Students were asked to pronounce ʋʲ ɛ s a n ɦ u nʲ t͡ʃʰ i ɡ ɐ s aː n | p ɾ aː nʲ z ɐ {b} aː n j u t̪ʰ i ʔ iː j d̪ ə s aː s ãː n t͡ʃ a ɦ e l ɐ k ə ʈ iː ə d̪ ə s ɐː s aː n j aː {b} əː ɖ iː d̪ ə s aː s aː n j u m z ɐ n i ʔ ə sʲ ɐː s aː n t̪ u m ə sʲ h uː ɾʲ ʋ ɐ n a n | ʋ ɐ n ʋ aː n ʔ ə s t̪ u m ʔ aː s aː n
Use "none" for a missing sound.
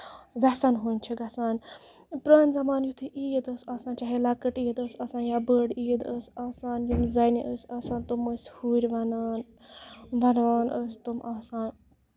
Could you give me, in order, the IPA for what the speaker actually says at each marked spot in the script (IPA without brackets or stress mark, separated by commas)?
m, b